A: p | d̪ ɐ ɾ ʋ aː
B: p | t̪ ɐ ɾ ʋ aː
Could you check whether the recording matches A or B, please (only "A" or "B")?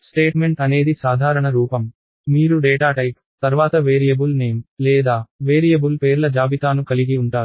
B